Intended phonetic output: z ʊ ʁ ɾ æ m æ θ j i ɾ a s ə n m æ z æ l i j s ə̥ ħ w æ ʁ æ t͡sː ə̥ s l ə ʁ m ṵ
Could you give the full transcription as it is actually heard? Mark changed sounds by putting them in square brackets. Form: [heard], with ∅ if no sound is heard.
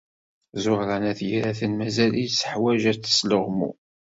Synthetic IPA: z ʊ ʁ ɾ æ [n] æ θ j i ɾ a [θ] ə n m æ z æ l i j s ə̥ ħ w æ [ʒ] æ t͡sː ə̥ s l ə ʁ m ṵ